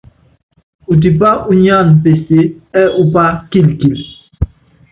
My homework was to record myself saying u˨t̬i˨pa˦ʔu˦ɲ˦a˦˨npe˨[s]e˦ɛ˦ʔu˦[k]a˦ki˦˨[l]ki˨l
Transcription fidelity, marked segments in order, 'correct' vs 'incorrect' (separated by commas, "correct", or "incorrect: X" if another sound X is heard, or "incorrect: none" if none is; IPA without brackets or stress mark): correct, incorrect: p, correct